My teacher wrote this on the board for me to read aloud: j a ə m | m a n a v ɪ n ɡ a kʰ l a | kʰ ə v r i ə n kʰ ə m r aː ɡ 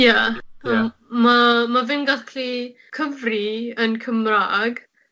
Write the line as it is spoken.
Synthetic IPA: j a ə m | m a m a v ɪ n ɡ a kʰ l i | kʰ ə v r i ə n kʰ ə m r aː ɡ